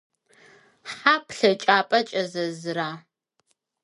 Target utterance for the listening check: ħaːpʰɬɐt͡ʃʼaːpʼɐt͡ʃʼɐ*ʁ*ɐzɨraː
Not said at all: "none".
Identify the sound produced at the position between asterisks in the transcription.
z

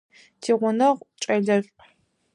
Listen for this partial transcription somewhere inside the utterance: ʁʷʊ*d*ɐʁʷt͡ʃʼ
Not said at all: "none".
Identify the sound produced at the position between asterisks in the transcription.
n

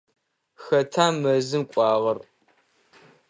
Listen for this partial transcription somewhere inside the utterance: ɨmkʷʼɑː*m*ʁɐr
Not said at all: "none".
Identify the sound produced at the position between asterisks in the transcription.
none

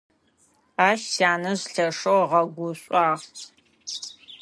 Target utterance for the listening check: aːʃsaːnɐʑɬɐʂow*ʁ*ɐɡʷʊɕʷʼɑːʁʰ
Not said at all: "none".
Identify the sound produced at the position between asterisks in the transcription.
ʁ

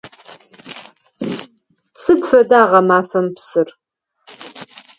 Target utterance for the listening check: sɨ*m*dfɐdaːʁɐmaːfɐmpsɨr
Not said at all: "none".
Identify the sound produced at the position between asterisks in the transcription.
none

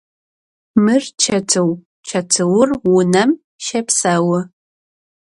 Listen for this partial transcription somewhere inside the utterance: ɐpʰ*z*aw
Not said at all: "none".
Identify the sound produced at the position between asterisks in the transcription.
s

